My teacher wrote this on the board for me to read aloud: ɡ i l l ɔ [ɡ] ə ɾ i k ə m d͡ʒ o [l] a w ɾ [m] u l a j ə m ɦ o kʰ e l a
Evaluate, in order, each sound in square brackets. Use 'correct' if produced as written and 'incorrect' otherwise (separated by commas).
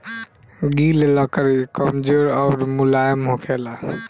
incorrect, incorrect, correct